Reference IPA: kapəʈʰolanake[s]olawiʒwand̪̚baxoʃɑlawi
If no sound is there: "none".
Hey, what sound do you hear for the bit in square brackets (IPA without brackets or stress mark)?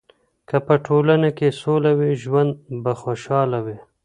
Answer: s